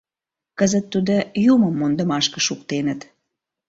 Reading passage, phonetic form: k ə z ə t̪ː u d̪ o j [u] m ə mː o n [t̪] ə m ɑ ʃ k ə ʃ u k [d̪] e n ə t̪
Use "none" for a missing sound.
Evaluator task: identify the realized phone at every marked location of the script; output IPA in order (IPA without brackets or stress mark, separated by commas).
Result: u, d̪, t̪